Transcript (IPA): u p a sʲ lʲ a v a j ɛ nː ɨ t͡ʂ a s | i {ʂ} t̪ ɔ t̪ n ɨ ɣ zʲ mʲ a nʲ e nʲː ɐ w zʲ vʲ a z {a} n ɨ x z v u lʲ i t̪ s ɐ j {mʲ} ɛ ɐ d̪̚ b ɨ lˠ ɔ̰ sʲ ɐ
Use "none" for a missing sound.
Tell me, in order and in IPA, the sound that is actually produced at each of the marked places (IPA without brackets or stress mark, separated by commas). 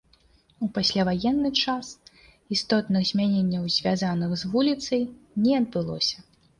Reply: s, a, nʲ